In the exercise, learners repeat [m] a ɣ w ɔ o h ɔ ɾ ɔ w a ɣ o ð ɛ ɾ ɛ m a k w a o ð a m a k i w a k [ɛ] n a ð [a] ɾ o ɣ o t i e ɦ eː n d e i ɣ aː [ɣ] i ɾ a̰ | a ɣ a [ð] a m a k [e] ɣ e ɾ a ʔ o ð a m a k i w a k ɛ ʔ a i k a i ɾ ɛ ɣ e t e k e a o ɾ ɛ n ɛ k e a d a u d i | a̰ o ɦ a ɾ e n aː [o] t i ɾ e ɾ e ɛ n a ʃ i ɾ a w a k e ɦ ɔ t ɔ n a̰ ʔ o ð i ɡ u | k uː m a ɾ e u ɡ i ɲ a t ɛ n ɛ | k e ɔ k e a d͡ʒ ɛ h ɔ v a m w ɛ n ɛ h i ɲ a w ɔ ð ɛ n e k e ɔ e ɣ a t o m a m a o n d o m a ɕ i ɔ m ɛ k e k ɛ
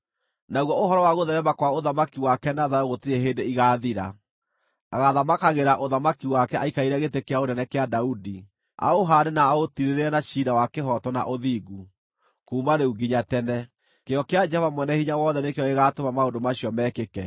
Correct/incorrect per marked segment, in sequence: incorrect: n, correct, correct, incorrect: ð, correct, incorrect: a, correct

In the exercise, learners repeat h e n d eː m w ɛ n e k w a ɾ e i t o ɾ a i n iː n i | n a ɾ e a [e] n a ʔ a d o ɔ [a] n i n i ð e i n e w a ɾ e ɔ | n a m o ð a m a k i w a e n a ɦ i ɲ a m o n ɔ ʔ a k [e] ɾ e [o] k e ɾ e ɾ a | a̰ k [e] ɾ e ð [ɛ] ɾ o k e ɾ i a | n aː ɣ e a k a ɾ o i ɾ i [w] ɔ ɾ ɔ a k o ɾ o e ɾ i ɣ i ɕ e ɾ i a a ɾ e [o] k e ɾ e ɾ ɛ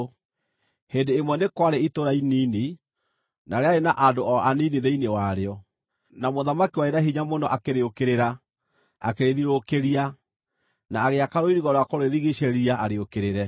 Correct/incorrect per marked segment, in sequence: correct, correct, correct, correct, correct, incorrect: i, incorrect: ɣ, correct

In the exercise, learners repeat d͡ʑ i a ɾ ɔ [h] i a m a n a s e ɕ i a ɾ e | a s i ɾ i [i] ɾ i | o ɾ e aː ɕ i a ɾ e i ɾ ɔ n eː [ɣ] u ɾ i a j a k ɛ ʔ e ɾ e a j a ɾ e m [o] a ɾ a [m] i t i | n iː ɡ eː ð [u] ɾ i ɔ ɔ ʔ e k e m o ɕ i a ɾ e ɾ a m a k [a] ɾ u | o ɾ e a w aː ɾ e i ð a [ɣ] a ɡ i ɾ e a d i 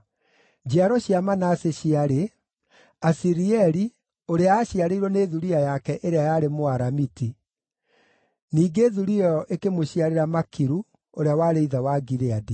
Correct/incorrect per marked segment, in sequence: incorrect: ɕ, incorrect: ɛ, incorrect: ð, correct, correct, correct, incorrect: i, incorrect: w

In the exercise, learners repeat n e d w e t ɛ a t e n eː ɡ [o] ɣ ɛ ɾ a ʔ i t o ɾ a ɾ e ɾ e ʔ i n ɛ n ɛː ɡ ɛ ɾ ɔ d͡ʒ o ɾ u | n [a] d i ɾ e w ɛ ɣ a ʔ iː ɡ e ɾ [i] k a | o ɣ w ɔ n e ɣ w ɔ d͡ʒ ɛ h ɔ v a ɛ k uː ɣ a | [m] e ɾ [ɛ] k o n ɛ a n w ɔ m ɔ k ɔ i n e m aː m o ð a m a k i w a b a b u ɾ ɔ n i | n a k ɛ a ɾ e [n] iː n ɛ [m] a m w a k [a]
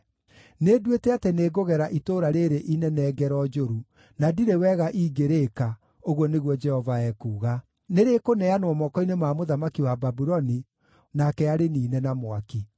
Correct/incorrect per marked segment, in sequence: correct, correct, incorrect: e, incorrect: n, incorrect: e, correct, incorrect: n, incorrect: i

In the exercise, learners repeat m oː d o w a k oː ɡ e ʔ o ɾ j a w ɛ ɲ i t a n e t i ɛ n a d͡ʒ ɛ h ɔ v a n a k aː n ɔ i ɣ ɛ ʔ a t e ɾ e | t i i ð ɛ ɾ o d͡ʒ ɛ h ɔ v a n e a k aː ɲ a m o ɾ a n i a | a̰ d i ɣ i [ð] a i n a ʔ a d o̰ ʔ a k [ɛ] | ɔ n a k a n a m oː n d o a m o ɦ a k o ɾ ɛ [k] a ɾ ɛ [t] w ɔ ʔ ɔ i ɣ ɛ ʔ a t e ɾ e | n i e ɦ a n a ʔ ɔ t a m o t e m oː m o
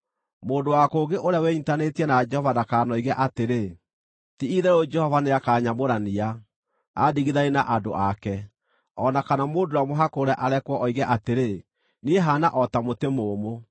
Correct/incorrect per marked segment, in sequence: correct, correct, incorrect: ʔ, incorrect: k

